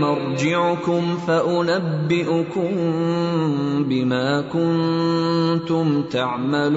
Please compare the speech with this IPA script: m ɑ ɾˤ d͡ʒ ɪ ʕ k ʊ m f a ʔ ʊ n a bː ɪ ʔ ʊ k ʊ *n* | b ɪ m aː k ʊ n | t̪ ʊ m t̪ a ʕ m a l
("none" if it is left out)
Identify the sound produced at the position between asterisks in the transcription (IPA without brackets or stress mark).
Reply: m